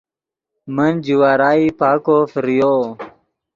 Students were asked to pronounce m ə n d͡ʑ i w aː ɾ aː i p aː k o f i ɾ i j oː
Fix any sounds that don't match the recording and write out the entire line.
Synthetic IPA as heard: m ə n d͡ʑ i w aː ɾ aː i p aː k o f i ɾ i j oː

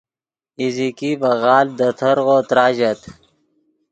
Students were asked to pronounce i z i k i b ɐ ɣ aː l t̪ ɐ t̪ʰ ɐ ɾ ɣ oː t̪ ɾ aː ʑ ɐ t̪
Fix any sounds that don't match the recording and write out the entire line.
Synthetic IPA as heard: i z i k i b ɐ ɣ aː l d̪ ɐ t̪ʰ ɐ ɾ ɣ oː t̪ ɾ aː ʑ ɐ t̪

